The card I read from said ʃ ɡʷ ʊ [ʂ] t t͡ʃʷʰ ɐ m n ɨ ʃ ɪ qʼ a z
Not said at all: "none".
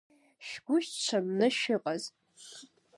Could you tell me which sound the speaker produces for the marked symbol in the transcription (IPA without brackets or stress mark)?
ʃ